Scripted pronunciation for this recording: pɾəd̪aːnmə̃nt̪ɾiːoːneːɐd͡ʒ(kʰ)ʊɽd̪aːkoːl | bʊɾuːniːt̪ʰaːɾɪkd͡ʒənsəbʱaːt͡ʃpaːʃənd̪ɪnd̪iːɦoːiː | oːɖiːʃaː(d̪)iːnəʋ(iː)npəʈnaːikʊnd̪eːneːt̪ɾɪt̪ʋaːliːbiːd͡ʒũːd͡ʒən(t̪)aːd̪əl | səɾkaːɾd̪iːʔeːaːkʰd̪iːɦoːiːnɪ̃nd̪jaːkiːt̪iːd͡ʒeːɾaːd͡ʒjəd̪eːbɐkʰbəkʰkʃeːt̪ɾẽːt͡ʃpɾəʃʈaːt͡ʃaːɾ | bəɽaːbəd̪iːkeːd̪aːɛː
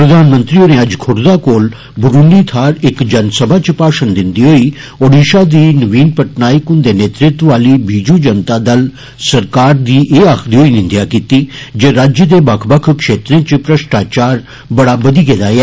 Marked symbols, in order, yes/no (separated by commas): yes, yes, yes, yes